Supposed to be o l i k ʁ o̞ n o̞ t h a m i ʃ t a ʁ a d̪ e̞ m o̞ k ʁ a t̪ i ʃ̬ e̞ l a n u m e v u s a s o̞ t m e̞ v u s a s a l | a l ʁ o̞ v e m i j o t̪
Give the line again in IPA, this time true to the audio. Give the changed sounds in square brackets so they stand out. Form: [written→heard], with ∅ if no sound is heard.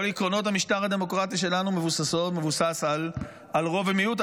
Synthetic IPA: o l i k ʁ o̞ n o̞ t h a m i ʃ t a ʁ a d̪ e̞ m o̞ k ʁ a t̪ i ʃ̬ e̞ l a n u m e v u s a s o̞ t m e̞ v u s a s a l | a l ʁ o̞ v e m i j [o→u] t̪